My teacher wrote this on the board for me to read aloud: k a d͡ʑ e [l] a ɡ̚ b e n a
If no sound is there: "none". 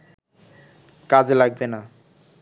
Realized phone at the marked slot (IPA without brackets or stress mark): l